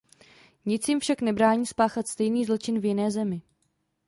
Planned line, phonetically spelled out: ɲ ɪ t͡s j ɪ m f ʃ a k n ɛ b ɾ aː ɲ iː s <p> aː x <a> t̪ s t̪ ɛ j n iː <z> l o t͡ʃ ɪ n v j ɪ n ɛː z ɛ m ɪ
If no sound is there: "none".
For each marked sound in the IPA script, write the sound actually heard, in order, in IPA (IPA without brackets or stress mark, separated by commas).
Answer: p, a, z